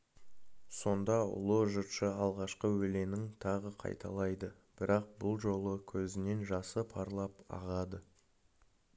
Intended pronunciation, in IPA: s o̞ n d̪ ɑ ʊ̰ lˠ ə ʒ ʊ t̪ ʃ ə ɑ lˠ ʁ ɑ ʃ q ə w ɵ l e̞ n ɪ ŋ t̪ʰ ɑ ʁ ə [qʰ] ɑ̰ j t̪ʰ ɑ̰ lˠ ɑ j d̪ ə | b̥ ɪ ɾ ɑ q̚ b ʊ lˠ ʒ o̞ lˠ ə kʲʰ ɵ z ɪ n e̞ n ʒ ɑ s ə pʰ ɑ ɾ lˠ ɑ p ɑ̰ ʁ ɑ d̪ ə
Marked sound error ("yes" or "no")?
no